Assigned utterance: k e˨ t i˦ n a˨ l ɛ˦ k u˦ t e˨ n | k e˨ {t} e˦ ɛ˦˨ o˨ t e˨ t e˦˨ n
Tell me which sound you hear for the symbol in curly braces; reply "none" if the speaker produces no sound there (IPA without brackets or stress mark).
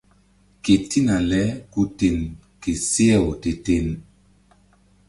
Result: s